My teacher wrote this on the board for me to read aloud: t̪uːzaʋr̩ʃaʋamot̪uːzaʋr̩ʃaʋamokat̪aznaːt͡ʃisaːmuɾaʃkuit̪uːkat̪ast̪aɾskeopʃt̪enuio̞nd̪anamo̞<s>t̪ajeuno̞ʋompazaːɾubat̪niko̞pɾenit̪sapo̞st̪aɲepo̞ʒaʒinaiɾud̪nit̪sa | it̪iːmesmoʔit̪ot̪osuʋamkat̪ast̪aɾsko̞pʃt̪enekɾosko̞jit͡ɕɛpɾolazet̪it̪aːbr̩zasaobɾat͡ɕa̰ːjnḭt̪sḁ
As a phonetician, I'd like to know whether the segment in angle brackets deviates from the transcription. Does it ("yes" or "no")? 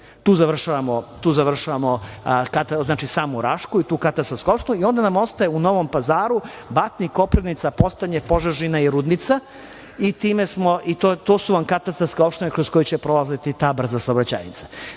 no